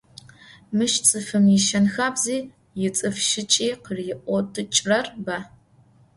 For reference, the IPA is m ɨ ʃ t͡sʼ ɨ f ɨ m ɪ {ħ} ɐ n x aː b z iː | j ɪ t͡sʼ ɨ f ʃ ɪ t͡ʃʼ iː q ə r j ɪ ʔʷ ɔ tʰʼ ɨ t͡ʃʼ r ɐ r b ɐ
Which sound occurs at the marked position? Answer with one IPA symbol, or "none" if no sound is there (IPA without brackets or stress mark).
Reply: ʃ